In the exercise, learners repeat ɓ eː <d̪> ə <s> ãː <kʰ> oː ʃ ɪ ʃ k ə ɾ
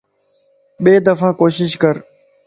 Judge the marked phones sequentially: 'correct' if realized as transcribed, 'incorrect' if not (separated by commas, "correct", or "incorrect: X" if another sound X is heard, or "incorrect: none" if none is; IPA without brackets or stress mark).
correct, incorrect: f, incorrect: k